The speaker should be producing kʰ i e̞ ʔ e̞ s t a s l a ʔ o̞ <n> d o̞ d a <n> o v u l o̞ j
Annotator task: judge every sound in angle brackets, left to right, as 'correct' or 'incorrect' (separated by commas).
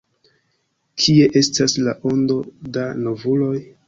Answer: correct, correct